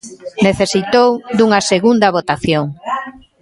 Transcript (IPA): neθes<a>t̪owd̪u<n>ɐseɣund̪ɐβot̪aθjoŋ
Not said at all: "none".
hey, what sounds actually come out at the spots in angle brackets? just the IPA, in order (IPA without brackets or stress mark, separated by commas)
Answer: i, ŋ